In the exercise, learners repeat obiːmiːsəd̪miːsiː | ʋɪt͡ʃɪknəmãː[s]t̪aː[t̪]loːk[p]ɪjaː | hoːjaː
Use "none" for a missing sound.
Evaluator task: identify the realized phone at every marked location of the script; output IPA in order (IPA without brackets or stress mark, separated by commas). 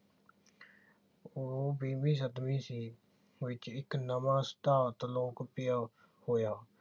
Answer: s, t̪, p